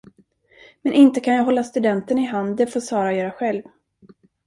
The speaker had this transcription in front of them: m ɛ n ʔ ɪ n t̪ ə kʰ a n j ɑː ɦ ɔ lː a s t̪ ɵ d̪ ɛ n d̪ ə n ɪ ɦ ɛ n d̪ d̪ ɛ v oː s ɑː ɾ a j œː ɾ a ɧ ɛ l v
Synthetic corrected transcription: m ɛ n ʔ ɪ n t̪ ə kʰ a n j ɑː ɦ ɔ lː a s t̪ ɵ d̪ ɛ n t̪ ə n ɪ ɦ a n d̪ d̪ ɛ f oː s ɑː ɾ a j œː ɾ a ɧ ɛ l v